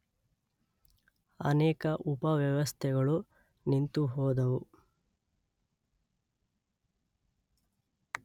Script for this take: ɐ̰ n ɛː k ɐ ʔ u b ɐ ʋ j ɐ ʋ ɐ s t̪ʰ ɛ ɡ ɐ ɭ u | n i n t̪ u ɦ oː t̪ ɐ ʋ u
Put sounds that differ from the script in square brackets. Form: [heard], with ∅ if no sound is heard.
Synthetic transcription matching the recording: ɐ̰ n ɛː k ɐ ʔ u [p] ɐ ʋ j ɐ ʋ ɐ s t̪ʰ ɛ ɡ ɐ ɭ u | n i n t̪ u ɦ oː [d̪] ɐ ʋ u